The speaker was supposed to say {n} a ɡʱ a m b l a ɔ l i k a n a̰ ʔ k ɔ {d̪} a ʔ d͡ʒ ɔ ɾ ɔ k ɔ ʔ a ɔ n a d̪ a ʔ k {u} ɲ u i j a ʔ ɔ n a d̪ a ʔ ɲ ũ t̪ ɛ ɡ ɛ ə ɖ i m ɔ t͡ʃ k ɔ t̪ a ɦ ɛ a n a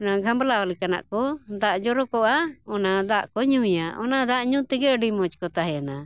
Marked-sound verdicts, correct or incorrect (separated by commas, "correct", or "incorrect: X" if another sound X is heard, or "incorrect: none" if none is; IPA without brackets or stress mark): correct, correct, incorrect: ɔ